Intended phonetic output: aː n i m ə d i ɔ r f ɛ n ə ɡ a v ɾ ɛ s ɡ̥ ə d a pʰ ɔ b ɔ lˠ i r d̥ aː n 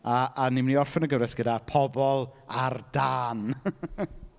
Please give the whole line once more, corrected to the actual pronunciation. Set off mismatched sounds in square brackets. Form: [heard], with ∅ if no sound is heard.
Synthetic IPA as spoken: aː n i m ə [n] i ɔ r f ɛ n ə ɡ [ə] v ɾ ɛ s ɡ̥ ə d a pʰ ɔ b ɔ lˠ [a] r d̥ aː n